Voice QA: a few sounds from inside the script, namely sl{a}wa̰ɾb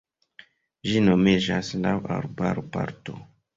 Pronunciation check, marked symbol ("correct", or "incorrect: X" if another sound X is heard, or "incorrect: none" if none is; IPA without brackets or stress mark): correct